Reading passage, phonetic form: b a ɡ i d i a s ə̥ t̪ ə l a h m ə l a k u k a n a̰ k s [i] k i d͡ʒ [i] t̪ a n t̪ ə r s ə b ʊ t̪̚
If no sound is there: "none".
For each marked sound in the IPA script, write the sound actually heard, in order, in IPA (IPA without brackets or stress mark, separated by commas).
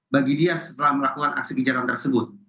i, a